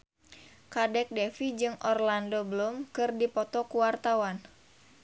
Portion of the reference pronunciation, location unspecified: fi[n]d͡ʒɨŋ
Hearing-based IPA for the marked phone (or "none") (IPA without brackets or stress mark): none